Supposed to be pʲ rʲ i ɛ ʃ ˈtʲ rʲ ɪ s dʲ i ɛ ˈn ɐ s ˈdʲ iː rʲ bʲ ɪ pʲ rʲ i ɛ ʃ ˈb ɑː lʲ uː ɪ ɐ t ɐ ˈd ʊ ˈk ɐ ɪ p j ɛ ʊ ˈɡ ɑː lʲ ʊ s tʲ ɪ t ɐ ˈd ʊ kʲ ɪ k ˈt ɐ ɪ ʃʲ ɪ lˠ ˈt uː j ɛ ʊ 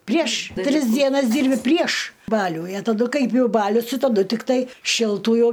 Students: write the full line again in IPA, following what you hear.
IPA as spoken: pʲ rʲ i ɛ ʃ ˈtʲ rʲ ɪ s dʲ i ɛ ˈn ɐ s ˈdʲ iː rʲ bʲ ɪ pʲ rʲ i ɛ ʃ ˈb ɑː lʲ uː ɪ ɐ t ɐ ˈd ʊ ˈk ɐ ɪ p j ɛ ʊ ˈb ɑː lʲ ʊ s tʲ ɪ t ɐ ˈd ʊ tʲ ɪ k ˈt ɐ ɪ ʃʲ ɪ lˠ ˈt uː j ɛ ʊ